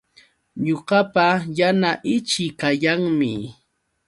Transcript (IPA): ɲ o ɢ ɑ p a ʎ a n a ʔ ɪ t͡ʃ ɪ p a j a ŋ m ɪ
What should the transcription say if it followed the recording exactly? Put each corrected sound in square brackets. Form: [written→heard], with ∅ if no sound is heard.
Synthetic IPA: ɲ o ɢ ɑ p a [ʎ→j] a n a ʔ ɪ t͡ʃ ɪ [p→k] a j a ŋ m ɪ